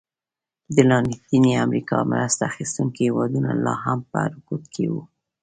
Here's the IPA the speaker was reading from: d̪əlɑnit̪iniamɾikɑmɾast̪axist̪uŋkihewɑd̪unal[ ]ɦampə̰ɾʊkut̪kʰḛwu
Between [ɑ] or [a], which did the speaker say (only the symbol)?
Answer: ɑ